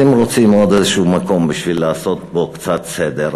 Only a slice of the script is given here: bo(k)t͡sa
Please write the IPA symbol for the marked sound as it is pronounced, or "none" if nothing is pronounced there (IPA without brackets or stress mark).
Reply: k